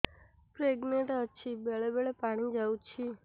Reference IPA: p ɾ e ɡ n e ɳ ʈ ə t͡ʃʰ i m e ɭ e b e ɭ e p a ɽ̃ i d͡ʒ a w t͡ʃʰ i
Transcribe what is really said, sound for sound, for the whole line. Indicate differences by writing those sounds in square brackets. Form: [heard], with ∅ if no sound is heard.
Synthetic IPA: p ɾ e ɡ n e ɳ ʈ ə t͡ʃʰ i [b] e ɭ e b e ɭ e p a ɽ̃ i d͡ʒ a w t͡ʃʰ i